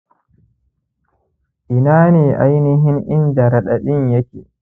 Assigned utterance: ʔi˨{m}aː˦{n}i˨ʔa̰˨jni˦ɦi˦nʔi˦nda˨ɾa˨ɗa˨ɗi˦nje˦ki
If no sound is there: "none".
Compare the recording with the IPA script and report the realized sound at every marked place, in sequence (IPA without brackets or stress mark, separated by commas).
n, n